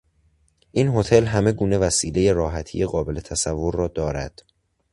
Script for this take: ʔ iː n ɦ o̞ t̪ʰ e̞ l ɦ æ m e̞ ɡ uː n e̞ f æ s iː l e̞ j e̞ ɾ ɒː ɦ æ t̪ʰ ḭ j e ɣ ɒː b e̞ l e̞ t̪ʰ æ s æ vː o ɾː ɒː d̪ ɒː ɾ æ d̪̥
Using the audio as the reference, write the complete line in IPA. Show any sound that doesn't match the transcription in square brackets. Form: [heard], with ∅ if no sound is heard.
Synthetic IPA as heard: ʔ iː n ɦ o̞ t̪ʰ e̞ l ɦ æ m e̞ ɡ uː n e̞ [v] æ s iː l e̞ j e̞ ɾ ɒː ɦ æ t̪ʰ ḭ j e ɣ ɒː b e̞ l e̞ t̪ʰ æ s æ vː o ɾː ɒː d̪ ɒː ɾ æ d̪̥